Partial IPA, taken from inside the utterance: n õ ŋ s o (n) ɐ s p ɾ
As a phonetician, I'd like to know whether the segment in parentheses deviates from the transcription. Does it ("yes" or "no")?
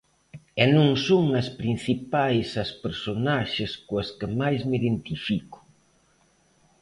yes